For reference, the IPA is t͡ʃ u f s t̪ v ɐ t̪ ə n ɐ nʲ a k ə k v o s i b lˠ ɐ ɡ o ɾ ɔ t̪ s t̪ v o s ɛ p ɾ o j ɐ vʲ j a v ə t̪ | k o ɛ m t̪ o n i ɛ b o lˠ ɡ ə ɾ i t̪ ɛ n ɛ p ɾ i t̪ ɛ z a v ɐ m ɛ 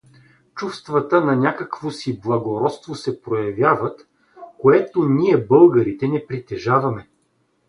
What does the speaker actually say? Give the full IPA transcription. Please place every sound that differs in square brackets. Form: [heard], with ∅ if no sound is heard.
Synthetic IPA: t͡ʃ u f s t̪ v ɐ t̪ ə n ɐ nʲ a k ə k v o s i b lˠ ɐ ɡ o ɾ ɔ t̪ s t̪ v o s ɛ p ɾ o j ɐ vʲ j a v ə t̪ | k o ɛ [∅] t̪ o n i ɛ b [ɤ] lˠ ɡ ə ɾ i t̪ ɛ n ɛ p ɾ i t̪ ɛ [ʒ] a v ɐ m ɛ